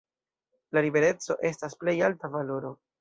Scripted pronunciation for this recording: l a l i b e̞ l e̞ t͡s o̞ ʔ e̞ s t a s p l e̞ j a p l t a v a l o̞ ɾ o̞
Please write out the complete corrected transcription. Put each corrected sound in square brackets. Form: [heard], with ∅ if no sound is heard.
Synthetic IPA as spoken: l a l i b e̞ [ɾ] e̞ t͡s o̞ ʔ e̞ s t a s p l e̞ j a [∅] l t a v a l o̞ ɾ o̞